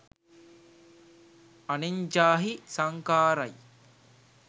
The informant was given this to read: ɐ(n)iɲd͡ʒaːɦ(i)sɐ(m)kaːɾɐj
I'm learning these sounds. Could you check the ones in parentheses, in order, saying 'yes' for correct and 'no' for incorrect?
yes, yes, no

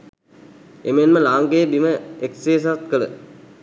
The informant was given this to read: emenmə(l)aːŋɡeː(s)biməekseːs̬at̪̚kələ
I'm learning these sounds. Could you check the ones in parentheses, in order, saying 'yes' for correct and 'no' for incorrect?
yes, no

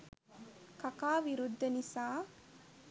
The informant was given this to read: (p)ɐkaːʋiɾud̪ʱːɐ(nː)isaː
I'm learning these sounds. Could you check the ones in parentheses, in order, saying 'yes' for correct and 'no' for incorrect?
no, no

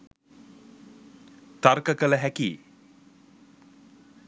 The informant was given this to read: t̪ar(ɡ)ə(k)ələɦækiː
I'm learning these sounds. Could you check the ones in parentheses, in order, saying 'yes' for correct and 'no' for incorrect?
no, yes

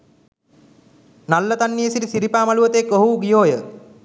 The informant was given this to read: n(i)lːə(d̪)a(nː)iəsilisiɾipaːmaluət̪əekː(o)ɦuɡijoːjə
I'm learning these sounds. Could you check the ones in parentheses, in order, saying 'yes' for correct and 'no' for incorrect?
no, no, yes, yes

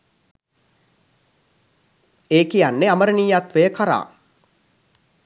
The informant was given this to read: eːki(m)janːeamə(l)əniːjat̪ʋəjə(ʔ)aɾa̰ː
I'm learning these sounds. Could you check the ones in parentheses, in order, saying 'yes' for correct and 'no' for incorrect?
no, no, no

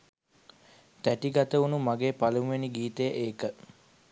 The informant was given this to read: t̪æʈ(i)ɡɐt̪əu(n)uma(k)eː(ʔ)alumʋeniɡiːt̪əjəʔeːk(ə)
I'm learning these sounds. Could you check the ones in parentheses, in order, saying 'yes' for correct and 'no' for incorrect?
yes, yes, no, no, yes

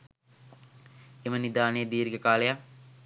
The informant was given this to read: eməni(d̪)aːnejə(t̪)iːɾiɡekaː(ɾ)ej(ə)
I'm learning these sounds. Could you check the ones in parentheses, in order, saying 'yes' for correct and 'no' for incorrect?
yes, no, no, no

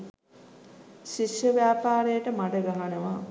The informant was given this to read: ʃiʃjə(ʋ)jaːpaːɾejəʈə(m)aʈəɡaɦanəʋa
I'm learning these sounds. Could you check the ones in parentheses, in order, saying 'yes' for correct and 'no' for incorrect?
yes, yes

